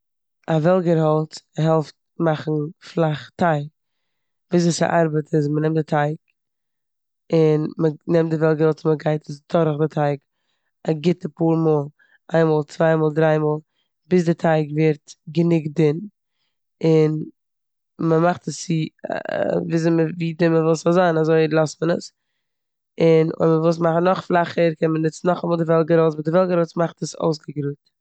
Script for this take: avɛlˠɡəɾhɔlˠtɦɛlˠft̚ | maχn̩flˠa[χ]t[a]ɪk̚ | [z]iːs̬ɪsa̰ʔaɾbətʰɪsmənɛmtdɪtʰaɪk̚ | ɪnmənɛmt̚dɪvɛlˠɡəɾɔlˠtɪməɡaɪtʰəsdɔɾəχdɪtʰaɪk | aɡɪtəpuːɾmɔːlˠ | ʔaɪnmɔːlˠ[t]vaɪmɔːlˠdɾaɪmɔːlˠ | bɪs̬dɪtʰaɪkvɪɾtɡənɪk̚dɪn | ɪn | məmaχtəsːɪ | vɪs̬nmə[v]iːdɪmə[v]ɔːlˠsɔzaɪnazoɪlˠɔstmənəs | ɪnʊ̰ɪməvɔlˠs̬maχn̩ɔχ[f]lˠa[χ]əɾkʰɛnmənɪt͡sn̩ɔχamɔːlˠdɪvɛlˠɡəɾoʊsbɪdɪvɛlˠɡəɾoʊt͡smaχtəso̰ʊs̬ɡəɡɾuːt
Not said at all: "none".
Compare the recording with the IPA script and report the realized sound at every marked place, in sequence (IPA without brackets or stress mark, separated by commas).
χ, a, v, t͡s, v, v, f, χ